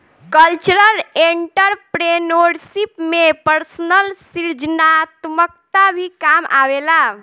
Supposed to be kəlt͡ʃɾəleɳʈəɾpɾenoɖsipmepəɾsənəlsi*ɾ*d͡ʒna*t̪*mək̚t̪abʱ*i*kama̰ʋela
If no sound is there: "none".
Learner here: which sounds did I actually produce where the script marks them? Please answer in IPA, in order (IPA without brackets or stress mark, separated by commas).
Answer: ɾ, t̪, i